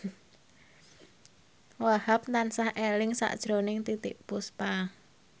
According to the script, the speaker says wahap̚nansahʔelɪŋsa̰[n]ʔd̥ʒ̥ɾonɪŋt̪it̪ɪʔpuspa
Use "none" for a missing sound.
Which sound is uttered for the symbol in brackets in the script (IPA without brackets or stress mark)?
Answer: none